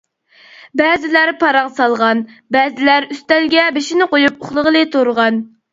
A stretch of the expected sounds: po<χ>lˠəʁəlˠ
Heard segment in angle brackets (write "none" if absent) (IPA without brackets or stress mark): χ